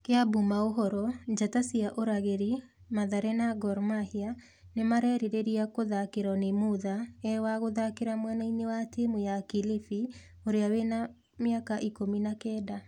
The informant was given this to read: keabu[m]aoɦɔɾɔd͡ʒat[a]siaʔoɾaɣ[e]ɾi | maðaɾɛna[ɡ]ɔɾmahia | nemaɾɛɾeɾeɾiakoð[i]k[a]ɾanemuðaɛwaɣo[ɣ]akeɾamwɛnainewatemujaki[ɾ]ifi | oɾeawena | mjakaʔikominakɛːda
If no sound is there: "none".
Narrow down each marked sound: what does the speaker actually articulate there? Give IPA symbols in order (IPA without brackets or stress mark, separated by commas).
m, a, e, ɡ, a, e, ð, l